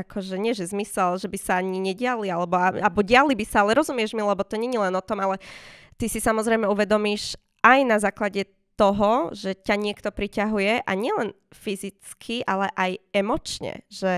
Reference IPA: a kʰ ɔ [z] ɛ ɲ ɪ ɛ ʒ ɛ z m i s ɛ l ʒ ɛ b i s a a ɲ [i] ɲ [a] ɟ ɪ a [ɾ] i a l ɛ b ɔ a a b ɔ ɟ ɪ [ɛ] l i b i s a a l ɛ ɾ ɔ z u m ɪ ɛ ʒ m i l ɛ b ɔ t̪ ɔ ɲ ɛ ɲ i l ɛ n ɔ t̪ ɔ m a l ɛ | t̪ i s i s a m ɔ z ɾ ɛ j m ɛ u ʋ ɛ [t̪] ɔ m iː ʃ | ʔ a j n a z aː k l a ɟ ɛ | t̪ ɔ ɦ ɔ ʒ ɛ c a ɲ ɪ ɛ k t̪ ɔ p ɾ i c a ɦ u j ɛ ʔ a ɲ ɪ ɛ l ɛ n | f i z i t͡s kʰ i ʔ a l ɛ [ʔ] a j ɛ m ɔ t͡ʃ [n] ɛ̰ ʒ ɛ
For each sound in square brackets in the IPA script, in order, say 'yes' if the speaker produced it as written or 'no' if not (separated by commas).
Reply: no, yes, no, no, no, no, yes, no